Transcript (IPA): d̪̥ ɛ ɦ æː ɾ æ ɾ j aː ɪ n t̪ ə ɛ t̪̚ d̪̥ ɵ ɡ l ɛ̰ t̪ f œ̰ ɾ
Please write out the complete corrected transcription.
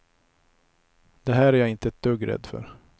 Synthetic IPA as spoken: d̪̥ ɛ ɦ æː ɾ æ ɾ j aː ɪ n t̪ ə ɛ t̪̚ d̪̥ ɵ ɡ ɾ ɛ̰ d̪ f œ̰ ɾ